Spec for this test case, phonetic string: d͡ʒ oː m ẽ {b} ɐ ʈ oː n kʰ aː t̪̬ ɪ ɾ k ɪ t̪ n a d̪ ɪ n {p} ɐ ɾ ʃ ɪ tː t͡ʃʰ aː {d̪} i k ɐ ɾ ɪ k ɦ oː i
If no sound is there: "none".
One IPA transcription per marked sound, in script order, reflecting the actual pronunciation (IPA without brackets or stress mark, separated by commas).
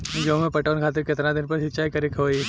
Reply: p, p, none